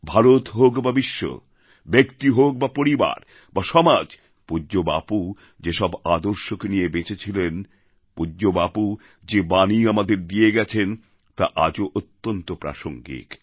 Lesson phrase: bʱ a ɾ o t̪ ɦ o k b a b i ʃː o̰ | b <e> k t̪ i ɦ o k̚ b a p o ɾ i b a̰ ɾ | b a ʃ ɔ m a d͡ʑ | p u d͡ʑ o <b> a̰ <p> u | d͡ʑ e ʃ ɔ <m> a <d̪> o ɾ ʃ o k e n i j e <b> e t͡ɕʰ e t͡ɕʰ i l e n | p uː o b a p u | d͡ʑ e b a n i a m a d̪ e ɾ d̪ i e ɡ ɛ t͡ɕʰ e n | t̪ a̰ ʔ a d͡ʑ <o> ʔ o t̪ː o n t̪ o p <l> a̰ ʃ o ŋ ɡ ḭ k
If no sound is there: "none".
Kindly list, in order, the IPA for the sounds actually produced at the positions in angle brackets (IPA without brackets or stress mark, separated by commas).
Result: e, b, p, b, d̪, b, o, ɾ